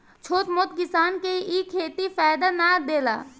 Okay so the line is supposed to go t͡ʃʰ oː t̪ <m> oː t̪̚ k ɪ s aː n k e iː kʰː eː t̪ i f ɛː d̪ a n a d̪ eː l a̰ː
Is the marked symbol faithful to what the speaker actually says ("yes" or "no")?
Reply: yes